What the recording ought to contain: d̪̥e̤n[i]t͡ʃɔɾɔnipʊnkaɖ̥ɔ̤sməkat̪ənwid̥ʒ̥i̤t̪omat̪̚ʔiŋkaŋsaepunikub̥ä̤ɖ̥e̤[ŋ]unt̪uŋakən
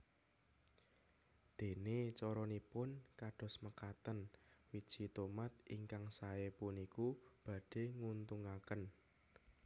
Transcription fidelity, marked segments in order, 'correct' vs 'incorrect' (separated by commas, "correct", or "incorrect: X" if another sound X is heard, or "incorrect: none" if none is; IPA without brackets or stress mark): incorrect: e, correct